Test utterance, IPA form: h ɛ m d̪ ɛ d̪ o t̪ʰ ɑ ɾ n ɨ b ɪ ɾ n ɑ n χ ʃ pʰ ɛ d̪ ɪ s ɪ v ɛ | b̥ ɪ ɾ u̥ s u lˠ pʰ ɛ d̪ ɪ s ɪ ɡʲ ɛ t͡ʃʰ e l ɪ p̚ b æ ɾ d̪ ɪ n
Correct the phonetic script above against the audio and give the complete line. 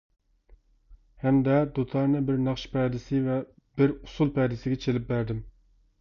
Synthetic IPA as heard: h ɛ m d̪ ɛ d̪ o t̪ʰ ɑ ɾ n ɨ b ɪ ɾ n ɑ χ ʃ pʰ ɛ d̪ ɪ s ɪ v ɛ | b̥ ɪ ɾ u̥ s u lˠ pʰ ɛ d̪ ɪ s ɪ ɡʲ ɛ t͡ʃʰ e l ɪ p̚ b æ ɾ d̪ ɪ m